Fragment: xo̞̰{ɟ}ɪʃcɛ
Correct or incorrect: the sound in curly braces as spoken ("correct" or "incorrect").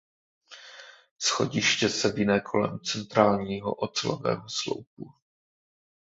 correct